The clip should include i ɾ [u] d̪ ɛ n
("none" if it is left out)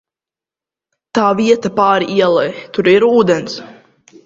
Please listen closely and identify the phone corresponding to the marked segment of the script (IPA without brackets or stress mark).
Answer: uː